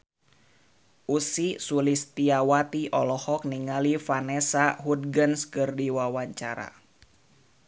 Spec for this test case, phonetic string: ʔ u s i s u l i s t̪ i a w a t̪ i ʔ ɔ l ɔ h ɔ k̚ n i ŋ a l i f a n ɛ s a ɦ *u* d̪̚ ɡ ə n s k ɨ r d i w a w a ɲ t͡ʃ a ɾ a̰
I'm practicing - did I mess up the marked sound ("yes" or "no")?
no